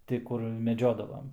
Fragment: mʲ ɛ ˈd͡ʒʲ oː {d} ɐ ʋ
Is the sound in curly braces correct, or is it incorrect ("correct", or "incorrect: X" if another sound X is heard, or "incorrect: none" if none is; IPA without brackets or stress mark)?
correct